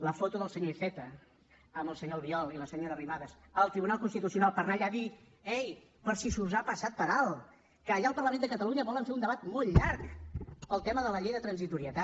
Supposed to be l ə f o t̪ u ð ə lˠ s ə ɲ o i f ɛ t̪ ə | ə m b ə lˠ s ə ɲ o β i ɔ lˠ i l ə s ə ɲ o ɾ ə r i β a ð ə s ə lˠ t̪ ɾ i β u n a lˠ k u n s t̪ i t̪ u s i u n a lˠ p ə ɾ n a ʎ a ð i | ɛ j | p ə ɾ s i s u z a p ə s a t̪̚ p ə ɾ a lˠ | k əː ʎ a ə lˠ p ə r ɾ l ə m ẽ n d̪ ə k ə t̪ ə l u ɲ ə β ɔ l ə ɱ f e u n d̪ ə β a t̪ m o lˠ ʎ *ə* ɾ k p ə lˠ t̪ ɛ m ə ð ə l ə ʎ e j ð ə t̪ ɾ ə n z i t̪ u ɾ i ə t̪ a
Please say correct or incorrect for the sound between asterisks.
incorrect: a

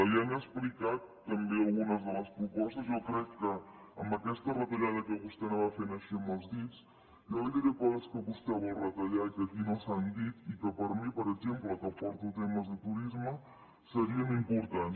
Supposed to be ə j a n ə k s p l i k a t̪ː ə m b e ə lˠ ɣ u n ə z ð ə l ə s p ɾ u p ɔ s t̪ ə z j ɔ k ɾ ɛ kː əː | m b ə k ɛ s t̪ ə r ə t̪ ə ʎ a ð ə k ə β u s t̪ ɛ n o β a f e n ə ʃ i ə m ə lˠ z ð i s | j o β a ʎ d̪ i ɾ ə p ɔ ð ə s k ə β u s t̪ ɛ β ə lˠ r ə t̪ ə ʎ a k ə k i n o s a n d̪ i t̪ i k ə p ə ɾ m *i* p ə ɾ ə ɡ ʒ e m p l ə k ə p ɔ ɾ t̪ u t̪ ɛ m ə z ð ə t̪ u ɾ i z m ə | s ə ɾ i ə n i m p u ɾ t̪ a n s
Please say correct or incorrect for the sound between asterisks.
correct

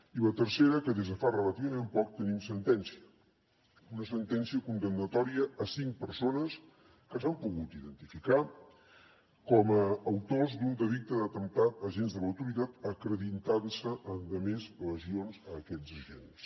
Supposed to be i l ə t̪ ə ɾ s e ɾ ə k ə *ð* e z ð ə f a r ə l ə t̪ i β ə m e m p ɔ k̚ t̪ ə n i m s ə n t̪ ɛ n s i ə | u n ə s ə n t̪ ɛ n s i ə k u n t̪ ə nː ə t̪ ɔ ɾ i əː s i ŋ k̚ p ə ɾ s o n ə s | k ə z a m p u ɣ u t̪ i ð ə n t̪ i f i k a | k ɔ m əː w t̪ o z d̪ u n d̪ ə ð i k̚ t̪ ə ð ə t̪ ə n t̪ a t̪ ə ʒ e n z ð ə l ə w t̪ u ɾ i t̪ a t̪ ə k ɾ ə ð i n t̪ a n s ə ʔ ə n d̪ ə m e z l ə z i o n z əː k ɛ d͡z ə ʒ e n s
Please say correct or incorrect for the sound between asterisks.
correct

